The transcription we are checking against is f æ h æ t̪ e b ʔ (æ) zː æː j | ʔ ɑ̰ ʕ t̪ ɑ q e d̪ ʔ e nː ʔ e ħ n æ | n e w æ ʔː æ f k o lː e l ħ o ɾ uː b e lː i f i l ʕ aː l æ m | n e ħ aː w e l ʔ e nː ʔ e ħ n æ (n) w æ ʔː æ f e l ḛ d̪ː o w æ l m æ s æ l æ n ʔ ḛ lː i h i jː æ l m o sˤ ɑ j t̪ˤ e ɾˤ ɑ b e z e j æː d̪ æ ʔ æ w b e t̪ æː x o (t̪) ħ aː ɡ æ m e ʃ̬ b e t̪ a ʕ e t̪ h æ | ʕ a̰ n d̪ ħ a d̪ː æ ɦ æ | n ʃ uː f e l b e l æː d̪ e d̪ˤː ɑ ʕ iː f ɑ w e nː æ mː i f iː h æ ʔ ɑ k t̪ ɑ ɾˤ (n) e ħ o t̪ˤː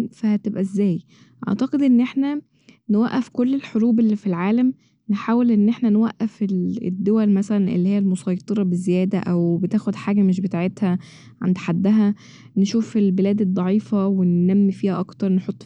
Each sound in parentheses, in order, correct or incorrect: correct, correct, incorrect, correct

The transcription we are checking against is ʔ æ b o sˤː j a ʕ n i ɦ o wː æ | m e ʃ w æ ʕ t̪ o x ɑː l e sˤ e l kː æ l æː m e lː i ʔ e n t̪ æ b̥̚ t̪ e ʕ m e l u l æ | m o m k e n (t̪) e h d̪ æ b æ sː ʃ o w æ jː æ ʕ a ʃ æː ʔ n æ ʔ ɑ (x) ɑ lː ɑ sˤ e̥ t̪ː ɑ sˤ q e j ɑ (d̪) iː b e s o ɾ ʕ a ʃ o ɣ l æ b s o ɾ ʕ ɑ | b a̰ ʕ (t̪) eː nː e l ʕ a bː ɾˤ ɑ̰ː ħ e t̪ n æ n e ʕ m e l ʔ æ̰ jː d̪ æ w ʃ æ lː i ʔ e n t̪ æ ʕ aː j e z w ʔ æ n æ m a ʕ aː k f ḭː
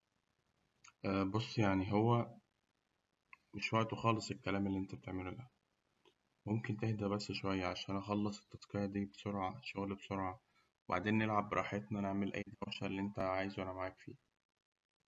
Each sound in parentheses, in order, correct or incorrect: correct, correct, correct, incorrect

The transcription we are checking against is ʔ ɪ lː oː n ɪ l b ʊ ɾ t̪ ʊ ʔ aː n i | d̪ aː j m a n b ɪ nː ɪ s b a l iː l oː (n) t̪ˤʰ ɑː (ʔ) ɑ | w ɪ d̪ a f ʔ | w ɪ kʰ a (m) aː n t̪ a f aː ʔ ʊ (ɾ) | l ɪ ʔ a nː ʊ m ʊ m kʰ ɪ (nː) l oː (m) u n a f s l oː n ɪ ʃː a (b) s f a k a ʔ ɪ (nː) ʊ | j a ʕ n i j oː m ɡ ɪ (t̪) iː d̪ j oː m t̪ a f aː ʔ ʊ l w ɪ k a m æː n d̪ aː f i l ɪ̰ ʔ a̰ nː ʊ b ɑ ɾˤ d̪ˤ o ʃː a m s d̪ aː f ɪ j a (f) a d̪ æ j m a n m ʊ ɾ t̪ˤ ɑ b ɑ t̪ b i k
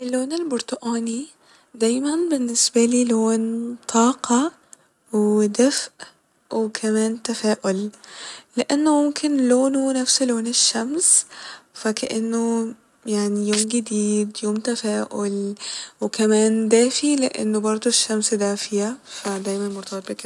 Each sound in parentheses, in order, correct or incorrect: correct, incorrect, correct, incorrect, incorrect, incorrect, incorrect, correct, incorrect, correct

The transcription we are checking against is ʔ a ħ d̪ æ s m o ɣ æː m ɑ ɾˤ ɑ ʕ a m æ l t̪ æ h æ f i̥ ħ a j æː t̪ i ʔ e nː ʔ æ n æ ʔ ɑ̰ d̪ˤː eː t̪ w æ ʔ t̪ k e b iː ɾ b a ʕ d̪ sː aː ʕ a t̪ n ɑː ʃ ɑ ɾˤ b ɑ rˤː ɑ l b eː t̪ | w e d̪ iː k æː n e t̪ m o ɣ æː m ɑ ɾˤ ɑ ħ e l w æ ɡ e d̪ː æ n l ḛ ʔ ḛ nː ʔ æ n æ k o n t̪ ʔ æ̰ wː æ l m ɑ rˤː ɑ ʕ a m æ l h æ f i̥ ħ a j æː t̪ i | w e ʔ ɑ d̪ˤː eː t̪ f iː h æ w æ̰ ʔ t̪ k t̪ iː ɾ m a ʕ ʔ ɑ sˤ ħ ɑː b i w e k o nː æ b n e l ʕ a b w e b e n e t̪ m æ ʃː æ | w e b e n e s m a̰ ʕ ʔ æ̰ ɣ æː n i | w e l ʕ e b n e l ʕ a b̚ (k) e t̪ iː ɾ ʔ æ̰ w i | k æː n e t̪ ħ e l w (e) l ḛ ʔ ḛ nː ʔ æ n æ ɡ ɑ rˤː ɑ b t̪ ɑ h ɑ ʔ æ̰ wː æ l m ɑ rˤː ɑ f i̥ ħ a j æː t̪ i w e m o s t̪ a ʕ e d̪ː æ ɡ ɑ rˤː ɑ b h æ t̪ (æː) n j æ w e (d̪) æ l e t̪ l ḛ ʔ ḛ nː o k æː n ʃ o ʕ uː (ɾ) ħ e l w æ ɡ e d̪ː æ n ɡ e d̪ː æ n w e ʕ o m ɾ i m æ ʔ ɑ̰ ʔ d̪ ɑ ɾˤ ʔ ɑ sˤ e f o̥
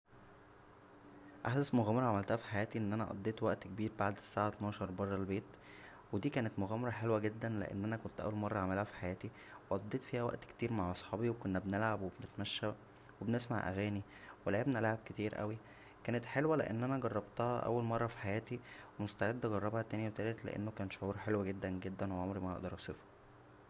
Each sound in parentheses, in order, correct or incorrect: correct, incorrect, correct, incorrect, correct

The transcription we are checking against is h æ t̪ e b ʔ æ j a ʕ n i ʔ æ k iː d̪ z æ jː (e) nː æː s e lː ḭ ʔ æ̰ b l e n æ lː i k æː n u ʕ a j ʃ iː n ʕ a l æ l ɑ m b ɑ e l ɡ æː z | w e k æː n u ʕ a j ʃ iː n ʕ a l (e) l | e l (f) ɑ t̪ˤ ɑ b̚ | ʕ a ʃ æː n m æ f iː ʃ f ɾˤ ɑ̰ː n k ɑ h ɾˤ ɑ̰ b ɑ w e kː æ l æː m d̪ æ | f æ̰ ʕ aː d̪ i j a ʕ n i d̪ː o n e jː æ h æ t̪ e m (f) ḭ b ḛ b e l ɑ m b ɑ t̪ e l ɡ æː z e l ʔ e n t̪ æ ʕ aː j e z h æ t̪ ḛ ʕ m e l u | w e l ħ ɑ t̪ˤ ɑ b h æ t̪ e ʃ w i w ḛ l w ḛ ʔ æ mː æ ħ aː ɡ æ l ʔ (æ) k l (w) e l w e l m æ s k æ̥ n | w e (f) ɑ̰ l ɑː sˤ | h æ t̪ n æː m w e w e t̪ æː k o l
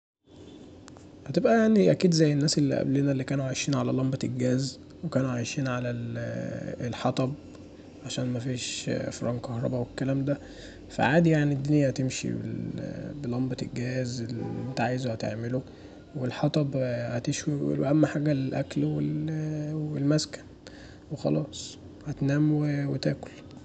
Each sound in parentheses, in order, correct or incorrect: correct, incorrect, incorrect, incorrect, correct, correct, incorrect

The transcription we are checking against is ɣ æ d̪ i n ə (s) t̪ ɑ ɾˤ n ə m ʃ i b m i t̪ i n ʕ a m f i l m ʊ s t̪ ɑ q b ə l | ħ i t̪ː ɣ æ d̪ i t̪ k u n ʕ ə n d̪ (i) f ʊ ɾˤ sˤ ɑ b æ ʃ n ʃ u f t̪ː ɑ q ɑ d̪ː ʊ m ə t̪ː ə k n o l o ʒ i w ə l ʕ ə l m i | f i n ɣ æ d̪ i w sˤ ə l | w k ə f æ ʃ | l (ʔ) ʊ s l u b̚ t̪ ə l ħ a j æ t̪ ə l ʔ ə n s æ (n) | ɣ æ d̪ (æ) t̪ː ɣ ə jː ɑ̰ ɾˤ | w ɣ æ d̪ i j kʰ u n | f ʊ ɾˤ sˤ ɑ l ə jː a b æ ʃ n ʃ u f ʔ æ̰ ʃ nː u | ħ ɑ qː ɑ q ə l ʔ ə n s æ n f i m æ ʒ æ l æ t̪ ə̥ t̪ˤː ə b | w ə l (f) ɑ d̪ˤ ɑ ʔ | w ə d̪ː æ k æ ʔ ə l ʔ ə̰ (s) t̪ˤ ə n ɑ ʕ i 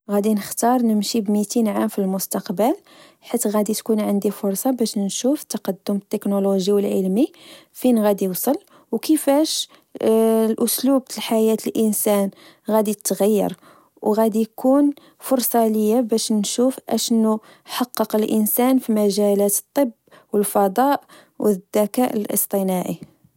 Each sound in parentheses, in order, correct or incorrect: incorrect, correct, correct, correct, incorrect, correct, correct

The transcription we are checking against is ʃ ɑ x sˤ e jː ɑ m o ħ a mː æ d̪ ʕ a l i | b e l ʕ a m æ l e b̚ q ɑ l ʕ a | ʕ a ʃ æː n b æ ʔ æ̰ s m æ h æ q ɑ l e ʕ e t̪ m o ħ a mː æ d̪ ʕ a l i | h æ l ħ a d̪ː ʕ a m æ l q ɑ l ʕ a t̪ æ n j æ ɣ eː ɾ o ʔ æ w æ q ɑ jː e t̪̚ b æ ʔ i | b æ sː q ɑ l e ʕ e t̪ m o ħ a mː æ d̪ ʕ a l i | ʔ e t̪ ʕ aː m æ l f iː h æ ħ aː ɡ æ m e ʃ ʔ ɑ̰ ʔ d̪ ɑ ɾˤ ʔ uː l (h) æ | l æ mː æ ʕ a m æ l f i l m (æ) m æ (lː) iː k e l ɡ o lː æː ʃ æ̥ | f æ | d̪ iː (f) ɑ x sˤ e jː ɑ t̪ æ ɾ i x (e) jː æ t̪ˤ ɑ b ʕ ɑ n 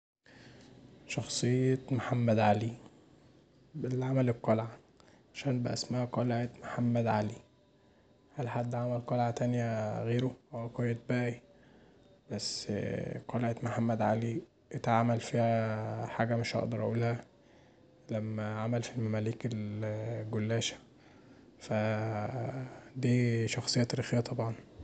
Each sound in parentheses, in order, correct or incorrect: correct, correct, incorrect, incorrect, correct

